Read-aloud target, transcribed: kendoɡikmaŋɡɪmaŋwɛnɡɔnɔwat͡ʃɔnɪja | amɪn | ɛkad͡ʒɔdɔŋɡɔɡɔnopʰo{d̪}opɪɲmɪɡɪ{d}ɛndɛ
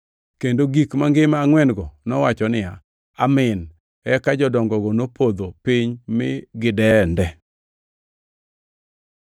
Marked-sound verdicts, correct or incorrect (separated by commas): correct, correct